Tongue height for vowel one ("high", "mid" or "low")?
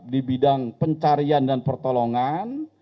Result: high